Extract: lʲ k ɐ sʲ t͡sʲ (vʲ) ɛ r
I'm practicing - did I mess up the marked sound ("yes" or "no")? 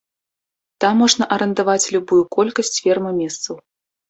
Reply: yes